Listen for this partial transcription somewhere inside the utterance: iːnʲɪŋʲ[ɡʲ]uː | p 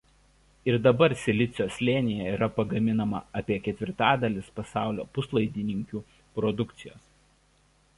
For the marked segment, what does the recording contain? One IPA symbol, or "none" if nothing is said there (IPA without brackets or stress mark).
kʲ